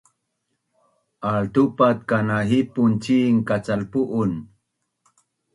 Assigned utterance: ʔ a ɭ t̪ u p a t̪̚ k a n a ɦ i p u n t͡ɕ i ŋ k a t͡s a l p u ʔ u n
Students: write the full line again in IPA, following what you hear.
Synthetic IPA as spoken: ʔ a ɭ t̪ u p a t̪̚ k a n a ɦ i p u n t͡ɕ i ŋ k a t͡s a l p u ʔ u n